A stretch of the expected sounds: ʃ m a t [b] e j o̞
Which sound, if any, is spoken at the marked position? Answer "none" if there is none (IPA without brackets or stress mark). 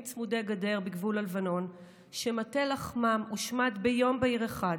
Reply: b